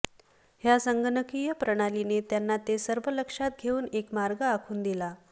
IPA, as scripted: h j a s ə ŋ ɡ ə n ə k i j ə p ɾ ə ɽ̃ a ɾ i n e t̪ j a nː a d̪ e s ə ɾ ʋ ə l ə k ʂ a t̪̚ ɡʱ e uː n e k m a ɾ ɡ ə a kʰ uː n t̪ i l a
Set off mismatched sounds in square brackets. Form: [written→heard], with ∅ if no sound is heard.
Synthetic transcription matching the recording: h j a s ə ŋ ɡ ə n ə k i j ə p ɾ ə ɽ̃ a [ɾ→l] i n e t̪ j a nː a [d̪→t̪] e s ə ɾ ʋ ə l ə k ʂ a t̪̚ ɡʱ e uː n e k m a ɾ ɡ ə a kʰ uː n [t̪→d̪] i l a

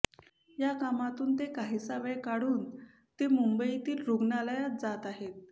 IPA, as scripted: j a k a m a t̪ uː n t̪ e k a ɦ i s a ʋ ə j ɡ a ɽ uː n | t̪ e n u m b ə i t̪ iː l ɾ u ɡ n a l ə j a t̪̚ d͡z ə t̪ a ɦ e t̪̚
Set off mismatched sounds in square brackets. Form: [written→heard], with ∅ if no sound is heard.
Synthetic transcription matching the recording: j a k a m a t̪ uː n t̪ e k a ɦ i s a ʋ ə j [ɡ→k] a ɽ uː n | t̪ e [n→m] u m b ə i t̪ iː l ɾ u ɡ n a l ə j a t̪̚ d͡z [ə→a] t̪ a ɦ e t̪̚

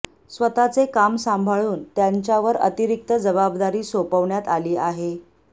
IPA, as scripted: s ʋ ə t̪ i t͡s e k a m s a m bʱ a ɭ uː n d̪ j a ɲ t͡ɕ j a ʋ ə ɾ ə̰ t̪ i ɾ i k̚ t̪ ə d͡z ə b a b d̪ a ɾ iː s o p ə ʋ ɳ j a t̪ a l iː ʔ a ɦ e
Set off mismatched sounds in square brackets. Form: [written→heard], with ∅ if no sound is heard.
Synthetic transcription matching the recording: s ʋ ə t̪ [i→a] t͡s e k a m s a m bʱ a ɭ uː n [d̪→t̪] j a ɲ t͡ɕ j a ʋ ə ɾ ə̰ t̪ i ɾ i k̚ t̪ ə d͡z ə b a b d̪ a ɾ iː s o p ə ʋ ɳ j a t̪ a l iː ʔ a ɦ e

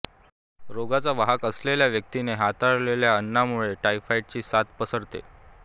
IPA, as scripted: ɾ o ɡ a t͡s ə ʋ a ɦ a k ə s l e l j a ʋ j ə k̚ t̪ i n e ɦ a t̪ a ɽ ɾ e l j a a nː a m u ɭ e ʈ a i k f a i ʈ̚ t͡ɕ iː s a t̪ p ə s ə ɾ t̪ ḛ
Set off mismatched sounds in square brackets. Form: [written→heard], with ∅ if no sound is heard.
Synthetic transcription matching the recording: ɾ o ɡ a t͡s [ə→a] ʋ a ɦ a k ə s l e l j a ʋ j ə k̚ t̪ i n e ɦ a t̪ a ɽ [ɾ→l] e l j a [a→ə] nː a m u ɭ e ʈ a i [k→∅] f a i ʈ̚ t͡ɕ iː s a t̪ p ə s ə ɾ t̪ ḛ

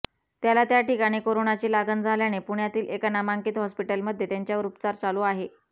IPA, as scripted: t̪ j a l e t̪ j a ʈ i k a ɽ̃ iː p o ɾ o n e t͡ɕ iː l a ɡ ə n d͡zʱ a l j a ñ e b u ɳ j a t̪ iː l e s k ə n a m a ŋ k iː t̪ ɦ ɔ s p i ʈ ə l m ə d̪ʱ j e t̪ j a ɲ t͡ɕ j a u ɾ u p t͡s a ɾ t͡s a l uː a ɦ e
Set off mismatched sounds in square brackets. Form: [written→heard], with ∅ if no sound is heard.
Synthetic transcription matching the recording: t̪ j a l [e→a] t̪ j a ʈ i k a ɽ̃ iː [p→k] o ɾ o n [e→a] t͡ɕ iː l a ɡ ə n d͡zʱ a l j a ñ e [b→p] u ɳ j a t̪ iː l e [s→∅] k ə n a m a ŋ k iː t̪ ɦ ɔ s p i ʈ ə l m ə d̪ʱ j e t̪ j a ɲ t͡ɕ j a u ɾ u p t͡s a ɾ t͡s a l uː a ɦ e

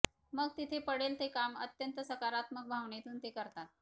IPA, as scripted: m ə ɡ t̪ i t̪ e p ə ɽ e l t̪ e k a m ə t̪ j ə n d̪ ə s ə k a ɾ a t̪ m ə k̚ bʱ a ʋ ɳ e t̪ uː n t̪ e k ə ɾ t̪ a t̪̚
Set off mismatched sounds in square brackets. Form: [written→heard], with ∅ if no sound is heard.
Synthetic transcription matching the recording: m ə ɡ t̪ i [t̪→t̪ʰ] e p ə ɽ e l t̪ e k a m ə t̪ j ə n [d̪→t̪] ə s ə k a ɾ a t̪ m ə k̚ bʱ a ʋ ɳ e t̪ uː n t̪ e k ə ɾ t̪ a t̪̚

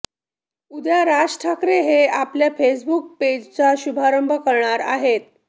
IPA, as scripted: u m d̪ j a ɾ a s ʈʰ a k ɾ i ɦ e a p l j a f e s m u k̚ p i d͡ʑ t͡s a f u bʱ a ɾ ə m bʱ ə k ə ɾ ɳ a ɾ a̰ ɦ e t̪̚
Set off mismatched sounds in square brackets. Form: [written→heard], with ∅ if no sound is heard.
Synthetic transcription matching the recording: u [m→∅] d̪ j a ɾ a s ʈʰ a k ɾ [i→e] ɦ e a p l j a f e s [m→b] u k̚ p [i→e] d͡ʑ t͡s a [f→ɕ] u bʱ a ɾ ə m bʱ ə k ə ɾ ɳ a ɾ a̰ ɦ e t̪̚

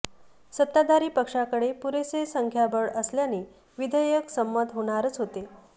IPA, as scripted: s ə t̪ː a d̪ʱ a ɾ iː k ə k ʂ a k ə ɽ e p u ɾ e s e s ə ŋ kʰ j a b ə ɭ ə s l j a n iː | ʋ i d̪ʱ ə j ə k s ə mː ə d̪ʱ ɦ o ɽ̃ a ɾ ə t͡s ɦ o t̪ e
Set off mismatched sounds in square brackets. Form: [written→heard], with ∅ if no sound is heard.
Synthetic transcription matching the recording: s ə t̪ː a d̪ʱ a ɾ iː [k→p] ə k ʂ a k ə ɽ e p u ɾ e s e s ə ŋ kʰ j a b ə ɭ ə s l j a n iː | ʋ i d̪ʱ ə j ə k s ə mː ə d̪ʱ ɦ o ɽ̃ a ɾ ə t͡s ɦ o t̪ e

